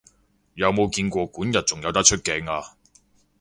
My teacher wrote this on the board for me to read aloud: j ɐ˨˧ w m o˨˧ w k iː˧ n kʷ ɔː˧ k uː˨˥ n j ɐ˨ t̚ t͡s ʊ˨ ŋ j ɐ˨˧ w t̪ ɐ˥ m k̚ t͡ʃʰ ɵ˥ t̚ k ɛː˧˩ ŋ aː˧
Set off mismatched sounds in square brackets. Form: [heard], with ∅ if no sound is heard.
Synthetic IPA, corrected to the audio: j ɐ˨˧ w m o˨˧ w k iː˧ n kʷ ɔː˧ k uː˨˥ n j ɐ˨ t̚ t͡s ʊ˨ ŋ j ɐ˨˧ w t̪ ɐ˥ [∅] k̚ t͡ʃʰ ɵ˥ t̚ k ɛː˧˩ ŋ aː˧